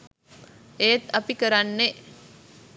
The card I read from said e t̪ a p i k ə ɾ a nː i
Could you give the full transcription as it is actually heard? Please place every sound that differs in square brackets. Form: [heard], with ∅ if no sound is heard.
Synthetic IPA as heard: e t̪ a p i k ə ɾ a nː [e]